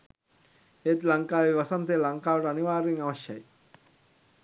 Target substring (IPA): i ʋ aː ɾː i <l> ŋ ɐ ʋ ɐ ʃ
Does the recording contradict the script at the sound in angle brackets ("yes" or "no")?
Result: yes